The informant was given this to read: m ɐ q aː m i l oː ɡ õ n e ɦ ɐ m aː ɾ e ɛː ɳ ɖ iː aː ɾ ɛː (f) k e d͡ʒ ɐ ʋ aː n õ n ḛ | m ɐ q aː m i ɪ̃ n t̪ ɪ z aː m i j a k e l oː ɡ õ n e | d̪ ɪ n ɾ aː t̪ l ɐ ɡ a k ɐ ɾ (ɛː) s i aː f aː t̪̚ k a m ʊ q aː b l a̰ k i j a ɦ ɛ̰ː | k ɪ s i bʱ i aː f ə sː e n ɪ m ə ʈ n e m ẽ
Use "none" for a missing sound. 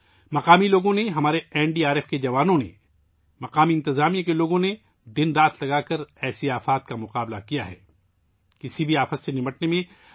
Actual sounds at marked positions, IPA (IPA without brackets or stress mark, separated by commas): f, ɛː